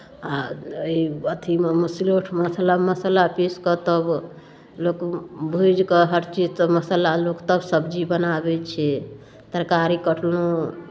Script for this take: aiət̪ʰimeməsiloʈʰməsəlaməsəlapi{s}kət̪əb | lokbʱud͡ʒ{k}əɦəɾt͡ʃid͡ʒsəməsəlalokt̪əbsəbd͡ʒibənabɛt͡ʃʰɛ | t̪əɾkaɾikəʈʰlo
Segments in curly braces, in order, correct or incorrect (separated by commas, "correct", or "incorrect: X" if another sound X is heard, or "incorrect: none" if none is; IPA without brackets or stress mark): correct, correct